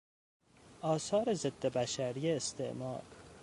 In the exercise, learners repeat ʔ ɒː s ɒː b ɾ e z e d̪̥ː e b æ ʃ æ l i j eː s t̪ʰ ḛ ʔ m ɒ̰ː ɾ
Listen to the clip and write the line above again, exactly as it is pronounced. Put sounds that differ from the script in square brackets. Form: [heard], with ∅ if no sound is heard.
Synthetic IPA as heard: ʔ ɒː s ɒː [∅] ɾ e z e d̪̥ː e b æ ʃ æ [ɾ] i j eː s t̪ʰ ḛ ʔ m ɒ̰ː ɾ